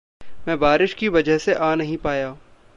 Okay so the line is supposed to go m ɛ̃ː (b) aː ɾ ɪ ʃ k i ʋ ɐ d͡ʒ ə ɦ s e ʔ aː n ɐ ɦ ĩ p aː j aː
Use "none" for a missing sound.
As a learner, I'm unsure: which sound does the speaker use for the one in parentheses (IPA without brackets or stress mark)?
b